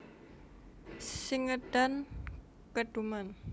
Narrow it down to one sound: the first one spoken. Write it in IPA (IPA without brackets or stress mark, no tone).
s